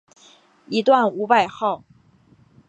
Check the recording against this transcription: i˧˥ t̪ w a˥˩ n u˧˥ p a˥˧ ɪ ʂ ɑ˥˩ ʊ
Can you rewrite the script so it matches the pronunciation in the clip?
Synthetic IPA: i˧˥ t̪ w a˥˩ n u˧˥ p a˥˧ ɪ x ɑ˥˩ ʊ